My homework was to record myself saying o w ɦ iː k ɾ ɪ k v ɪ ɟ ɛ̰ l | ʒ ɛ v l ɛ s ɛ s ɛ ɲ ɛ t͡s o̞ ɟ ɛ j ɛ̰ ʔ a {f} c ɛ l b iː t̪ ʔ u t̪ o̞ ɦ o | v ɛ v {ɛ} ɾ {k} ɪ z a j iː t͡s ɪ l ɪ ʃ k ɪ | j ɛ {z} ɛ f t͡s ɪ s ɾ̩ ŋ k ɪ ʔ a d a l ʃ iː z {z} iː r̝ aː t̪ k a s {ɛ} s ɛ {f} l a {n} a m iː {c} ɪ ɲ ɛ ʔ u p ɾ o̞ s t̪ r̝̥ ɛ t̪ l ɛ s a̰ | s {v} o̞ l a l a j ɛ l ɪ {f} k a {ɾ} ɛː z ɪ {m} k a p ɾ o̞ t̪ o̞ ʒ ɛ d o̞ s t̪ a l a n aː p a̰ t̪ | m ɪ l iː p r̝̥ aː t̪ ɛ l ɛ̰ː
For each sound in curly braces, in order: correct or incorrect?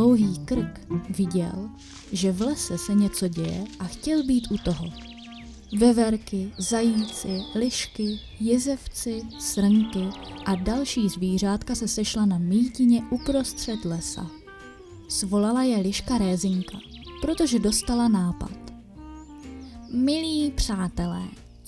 incorrect: x, correct, correct, correct, incorrect: v, correct, incorrect: ʃ, correct, correct, correct, incorrect: ʃ, correct, incorrect: ŋ

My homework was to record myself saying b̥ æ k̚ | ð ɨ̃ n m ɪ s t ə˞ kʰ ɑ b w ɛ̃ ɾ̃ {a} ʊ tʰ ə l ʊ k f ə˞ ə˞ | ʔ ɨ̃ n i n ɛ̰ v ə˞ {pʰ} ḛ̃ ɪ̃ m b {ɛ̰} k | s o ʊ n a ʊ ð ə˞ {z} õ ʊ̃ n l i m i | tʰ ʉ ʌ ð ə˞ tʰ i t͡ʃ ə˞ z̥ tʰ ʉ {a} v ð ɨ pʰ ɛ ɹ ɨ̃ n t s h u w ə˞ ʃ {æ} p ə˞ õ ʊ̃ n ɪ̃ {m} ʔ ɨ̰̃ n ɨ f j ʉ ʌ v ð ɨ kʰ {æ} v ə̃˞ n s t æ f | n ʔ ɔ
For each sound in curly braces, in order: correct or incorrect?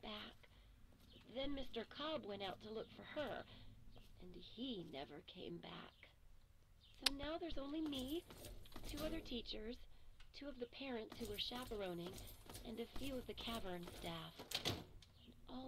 correct, incorrect: kʰ, incorrect: æ̰, correct, incorrect: ʌ, correct, incorrect: ŋ, correct

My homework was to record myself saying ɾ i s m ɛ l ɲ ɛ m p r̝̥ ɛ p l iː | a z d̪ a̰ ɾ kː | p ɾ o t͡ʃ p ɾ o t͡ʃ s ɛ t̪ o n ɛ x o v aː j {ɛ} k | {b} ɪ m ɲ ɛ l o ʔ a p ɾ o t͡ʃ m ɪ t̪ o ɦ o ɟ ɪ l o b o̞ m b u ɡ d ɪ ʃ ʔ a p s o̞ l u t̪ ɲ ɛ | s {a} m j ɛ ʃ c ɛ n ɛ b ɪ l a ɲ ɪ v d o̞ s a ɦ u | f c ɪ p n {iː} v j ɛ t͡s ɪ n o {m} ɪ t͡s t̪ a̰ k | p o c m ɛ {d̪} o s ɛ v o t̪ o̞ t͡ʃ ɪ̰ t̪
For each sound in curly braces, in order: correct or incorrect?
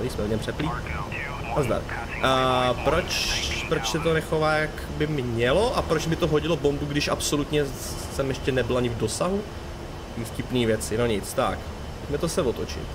incorrect: a, correct, incorrect: ɛ, correct, incorrect: ɲ, incorrect: t̪

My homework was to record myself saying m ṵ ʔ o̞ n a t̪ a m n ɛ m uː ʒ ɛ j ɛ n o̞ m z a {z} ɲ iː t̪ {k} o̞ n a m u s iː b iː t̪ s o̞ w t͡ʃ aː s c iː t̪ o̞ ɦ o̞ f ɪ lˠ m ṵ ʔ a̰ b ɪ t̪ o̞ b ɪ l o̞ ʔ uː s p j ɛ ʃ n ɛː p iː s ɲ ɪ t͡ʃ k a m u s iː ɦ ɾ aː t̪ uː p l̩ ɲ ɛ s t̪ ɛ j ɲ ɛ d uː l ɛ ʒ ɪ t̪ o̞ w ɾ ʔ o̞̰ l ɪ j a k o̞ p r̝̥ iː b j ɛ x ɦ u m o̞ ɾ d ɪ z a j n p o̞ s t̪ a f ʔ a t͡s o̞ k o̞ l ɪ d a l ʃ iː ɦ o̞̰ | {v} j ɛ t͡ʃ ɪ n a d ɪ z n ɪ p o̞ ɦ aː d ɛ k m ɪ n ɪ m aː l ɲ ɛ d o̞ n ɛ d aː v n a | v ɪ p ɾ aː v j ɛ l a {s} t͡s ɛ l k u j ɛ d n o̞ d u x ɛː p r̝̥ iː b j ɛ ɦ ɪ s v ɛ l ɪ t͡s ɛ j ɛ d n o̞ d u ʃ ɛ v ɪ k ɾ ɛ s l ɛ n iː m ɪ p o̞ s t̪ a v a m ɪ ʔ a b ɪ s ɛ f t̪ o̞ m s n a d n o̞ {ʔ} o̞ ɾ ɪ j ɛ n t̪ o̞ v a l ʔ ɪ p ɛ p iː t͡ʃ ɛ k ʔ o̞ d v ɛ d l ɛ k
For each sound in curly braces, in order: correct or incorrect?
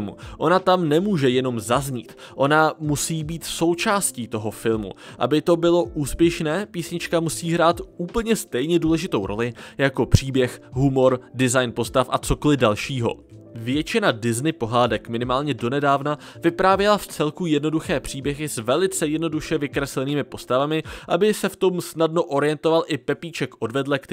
correct, incorrect: ʔ, correct, incorrect: f, correct

